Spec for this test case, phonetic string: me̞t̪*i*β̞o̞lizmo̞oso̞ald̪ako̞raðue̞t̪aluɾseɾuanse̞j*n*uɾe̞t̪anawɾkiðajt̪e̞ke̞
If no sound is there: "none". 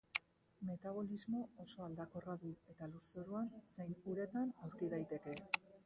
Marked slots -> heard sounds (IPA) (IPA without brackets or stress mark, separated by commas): a, n